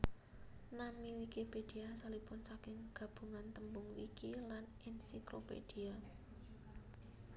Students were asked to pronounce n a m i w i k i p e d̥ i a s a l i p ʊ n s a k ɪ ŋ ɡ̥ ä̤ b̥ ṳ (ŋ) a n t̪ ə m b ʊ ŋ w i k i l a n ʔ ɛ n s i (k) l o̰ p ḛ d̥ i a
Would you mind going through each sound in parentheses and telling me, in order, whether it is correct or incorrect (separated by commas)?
correct, correct